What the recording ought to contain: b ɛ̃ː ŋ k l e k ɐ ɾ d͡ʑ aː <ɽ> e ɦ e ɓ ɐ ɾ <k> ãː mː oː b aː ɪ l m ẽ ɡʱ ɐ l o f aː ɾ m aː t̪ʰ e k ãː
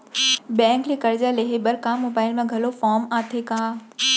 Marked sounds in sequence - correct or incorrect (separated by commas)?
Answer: incorrect, correct